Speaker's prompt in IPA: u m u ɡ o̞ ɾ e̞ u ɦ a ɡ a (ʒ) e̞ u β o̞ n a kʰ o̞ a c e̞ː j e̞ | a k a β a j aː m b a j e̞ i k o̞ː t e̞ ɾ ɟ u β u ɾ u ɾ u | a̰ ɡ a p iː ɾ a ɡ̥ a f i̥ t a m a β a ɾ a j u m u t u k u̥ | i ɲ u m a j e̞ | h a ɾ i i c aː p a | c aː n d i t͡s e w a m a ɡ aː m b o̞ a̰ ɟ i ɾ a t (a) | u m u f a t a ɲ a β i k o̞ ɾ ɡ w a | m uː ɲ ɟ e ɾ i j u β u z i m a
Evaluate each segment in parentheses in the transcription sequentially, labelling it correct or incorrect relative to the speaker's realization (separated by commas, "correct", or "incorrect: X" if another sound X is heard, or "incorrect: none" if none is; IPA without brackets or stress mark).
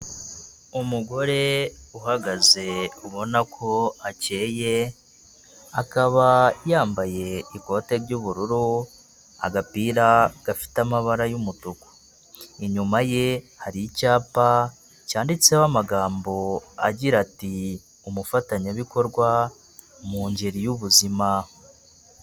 incorrect: z, incorrect: i